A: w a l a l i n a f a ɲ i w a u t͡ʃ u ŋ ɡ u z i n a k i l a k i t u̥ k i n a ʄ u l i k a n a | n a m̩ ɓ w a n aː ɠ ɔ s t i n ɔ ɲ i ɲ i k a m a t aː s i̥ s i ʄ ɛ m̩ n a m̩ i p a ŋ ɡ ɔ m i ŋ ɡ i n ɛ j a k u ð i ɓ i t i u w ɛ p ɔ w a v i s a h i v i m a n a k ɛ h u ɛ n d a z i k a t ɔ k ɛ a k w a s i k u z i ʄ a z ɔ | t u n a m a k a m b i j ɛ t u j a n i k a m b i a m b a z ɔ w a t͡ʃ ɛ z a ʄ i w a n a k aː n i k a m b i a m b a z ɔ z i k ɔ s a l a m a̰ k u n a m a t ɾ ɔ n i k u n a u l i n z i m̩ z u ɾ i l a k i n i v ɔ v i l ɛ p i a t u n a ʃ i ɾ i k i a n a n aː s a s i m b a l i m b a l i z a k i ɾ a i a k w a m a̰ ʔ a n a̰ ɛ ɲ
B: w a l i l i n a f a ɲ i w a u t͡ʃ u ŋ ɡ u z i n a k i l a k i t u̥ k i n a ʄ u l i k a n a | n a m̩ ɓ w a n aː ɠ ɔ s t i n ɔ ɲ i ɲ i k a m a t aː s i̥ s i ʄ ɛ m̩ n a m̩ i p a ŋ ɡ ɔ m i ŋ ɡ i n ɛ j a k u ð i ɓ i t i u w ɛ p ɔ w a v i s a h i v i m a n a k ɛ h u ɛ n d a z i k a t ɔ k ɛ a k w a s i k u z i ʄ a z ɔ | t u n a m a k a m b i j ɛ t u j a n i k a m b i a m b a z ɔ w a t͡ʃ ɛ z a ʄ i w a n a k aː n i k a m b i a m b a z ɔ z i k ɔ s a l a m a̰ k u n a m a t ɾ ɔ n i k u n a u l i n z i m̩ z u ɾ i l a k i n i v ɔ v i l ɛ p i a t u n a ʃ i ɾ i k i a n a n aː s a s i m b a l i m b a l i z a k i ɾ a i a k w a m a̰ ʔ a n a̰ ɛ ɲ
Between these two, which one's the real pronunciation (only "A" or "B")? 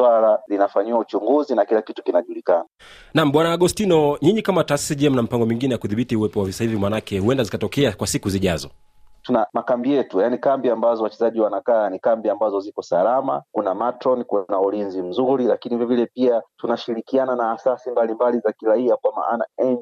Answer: A